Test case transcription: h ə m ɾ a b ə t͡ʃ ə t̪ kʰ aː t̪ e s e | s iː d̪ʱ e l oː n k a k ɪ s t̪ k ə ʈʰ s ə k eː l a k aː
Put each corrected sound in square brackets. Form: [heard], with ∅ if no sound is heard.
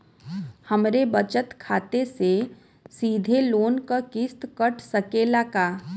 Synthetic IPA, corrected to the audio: h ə m ɾ [e] b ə t͡ʃ ə t̪ kʰ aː t̪ e s e | s iː d̪ʱ e l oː n k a k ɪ s t̪ k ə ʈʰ s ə k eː l a k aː